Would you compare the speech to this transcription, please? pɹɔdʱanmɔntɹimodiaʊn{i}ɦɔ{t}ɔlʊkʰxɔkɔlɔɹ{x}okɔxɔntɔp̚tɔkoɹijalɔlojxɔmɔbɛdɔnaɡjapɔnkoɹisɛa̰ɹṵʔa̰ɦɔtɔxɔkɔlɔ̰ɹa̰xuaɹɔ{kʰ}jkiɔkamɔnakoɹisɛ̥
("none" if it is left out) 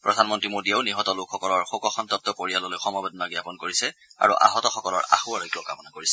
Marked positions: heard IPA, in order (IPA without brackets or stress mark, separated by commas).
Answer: i, t, x, none